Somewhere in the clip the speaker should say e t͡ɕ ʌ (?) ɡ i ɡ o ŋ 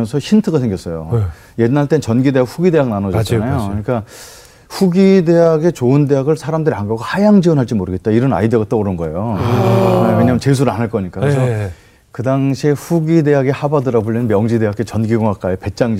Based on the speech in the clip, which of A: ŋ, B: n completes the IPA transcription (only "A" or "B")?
B